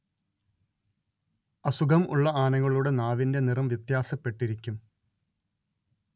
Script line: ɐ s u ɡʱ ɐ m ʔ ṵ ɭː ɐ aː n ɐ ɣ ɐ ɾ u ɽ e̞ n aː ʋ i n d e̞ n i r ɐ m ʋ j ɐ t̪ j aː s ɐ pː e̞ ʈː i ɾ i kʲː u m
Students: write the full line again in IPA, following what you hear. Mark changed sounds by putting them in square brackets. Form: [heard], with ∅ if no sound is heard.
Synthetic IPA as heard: ɐ s u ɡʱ ɐ m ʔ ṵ ɭː ɐ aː n ɐ ɣ ɐ [ɭ] u ɽ e̞ n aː ʋ i n d e̞ n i r ɐ m ʋ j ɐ t̪ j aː s ɐ pː e̞ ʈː i ɾ i kʲː u m